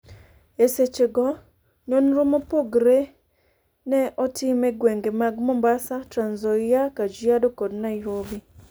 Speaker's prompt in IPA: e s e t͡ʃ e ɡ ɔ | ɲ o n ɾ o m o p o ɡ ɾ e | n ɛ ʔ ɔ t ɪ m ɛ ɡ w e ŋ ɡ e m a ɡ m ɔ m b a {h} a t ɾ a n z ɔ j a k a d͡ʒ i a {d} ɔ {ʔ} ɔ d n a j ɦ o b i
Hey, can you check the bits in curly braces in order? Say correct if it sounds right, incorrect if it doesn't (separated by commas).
incorrect, correct, incorrect